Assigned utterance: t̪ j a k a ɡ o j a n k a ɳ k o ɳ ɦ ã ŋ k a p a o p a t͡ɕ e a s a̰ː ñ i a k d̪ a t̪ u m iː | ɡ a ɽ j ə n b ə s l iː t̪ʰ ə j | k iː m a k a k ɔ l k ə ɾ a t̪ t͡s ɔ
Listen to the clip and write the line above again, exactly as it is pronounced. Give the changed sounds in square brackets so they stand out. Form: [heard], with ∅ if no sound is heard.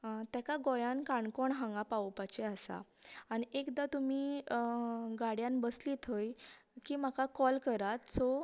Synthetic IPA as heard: t̪ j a k a ɡ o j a n k a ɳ k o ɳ ɦ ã ŋ [ɡ] a p a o p a t͡ɕ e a s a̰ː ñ i [e] k d̪ a t̪ u m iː | ɡ a ɽ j [a] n b ə s l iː t̪ʰ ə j | k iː m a k a k ɔ l k ə ɾ a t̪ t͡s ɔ